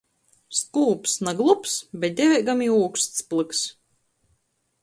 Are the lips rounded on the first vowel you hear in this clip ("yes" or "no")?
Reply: yes